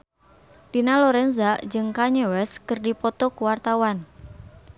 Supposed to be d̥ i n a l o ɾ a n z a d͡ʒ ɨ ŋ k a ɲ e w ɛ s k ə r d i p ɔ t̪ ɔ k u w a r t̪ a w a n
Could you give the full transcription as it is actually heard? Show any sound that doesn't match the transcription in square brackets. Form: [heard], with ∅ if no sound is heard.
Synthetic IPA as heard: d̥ i n a l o ɾ [ɛ] n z a d͡ʒ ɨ ŋ k a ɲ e w ɛ s k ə r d i p ɔ t̪ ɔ k u w a r t̪ a w a n